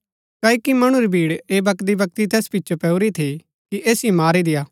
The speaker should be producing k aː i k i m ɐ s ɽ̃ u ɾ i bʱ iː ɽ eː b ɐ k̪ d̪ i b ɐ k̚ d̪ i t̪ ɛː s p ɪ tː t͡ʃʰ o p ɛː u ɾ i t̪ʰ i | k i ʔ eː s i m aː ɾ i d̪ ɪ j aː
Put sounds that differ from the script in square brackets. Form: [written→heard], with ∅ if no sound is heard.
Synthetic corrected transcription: k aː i k i m ɐ [s→∅] ɽ̃ u ɾ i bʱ iː ɽ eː b ɐ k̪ d̪ i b ɐ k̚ [d̪→t̪] i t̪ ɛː s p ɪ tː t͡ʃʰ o p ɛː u ɾ i t̪ʰ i | k i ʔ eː s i m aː ɾ i d̪ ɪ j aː